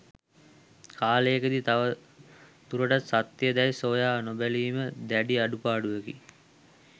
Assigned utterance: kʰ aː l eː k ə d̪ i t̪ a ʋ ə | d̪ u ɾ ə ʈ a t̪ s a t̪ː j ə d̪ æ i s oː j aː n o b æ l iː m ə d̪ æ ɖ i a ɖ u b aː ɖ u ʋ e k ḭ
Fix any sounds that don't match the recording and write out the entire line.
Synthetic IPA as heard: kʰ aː l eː k ə d̪ i t̪ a ʋ ə | t̪ u ɾ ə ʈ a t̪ s a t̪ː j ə d̪ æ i s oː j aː n o b æ l iː m ə d̪ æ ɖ i a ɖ u p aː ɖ u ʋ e k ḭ